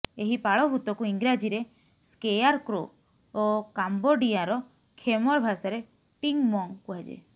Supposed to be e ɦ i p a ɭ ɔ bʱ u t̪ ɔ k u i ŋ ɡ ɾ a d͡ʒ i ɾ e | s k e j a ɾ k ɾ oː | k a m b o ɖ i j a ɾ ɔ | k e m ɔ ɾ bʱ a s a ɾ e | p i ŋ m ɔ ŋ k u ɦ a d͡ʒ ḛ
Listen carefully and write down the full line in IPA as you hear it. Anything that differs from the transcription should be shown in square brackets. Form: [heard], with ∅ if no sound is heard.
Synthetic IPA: e ɦ i p a ɭ ɔ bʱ u t̪ ɔ k u i ŋ ɡ ɾ a d͡ʒ i ɾ e | s k e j a ɾ k ɾ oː | k a m b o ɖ i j a ɾ ɔ | [kʰ] e m ɔ ɾ bʱ a s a ɾ e | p i ŋ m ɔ ŋ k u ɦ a d͡ʒ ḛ